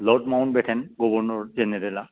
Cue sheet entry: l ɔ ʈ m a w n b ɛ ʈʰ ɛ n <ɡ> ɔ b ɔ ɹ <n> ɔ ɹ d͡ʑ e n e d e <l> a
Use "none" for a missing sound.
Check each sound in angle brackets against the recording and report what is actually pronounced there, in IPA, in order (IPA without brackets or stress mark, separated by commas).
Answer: ɡ, n, l